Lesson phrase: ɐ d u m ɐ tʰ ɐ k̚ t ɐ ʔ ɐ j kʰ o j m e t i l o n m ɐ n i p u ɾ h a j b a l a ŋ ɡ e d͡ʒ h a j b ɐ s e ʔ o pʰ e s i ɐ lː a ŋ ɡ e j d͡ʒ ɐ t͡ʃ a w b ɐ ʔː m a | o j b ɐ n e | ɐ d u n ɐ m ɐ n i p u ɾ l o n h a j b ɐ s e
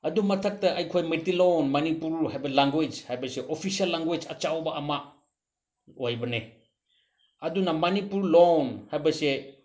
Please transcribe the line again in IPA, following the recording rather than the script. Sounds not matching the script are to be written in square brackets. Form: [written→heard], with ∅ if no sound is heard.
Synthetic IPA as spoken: ɐ d u m ɐ tʰ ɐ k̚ t ɐ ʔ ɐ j kʰ o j m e t i l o n m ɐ n i p u ɾ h a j b [a→ɐ] l a ŋ ɡ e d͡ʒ h a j b ɐ s e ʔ o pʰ [e→i] s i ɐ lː a ŋ ɡ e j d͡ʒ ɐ t͡ʃ a w b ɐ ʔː m a | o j b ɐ n e | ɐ d u n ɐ m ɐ n i p u ɾ l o n h a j b ɐ s e